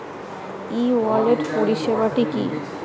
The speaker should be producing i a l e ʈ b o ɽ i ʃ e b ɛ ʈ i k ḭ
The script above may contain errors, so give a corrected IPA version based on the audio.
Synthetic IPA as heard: i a l e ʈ p o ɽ i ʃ e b a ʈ i k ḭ